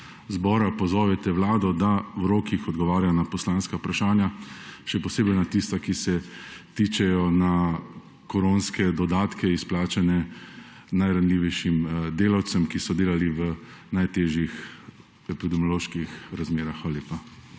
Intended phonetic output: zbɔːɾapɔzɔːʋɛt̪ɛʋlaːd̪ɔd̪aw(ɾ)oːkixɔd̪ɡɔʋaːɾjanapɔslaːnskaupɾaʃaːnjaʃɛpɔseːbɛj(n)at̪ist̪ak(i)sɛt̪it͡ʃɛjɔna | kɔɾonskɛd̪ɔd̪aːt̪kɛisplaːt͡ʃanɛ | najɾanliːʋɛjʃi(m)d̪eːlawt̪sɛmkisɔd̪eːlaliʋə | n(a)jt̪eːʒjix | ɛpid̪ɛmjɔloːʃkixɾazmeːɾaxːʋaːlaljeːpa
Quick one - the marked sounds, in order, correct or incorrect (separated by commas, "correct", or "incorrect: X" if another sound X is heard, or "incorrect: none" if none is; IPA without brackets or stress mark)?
correct, correct, correct, correct, correct